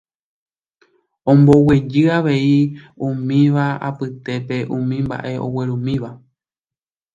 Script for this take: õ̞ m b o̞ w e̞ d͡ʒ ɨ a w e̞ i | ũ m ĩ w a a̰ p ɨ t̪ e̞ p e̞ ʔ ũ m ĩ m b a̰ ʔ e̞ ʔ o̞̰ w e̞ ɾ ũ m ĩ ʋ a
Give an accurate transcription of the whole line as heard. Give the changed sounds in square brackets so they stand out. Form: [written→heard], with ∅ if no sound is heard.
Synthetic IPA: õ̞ m b o̞ w e̞ d͡ʒ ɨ a [w→ʋ] e̞ i | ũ m ĩ [w→ʋ] a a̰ p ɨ t̪ e̞ p e̞ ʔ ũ m ĩ m b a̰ ʔ e̞ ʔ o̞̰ w e̞ ɾ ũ m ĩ ʋ a